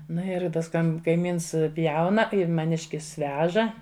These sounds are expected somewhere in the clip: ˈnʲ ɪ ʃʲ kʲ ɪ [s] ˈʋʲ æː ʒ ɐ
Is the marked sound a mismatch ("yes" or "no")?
no